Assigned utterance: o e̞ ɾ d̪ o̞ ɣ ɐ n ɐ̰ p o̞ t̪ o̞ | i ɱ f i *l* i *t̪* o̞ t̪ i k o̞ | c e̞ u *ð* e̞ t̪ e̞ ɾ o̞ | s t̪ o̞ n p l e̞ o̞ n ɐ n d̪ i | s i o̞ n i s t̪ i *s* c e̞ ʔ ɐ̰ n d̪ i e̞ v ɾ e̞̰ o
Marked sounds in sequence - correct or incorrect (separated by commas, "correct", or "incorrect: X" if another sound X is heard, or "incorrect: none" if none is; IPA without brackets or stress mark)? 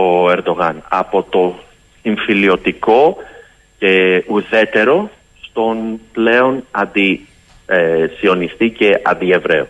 correct, incorrect: none, correct, incorrect: none